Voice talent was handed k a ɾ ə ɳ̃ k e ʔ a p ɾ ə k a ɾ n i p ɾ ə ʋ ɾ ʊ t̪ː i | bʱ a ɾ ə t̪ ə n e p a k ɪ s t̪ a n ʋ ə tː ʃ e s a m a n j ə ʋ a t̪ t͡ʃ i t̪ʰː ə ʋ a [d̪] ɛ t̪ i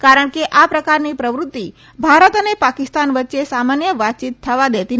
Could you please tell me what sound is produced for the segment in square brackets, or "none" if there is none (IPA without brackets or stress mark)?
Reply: d̪